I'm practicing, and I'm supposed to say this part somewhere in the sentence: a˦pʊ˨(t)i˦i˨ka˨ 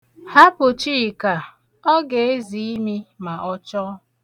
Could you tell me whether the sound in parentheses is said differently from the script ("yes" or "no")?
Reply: yes